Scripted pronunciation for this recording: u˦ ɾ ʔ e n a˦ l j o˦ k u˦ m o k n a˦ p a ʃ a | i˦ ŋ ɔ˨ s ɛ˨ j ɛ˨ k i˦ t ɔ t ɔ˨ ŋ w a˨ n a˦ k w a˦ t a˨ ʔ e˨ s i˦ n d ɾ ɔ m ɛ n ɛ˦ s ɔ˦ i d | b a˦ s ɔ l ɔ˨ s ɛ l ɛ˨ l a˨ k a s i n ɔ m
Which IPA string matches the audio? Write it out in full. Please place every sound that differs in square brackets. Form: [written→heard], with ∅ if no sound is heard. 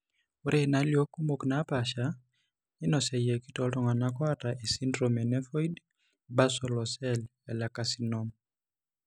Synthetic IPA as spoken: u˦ ɾ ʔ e n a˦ l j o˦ k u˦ m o k n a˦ p a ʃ a | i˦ [ŋ→n] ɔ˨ s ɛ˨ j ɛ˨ k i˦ t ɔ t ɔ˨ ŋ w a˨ n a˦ k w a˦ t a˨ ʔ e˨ s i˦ n d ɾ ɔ m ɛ n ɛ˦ [s→f] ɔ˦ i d | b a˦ s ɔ l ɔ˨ s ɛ l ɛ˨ l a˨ k a s i n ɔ m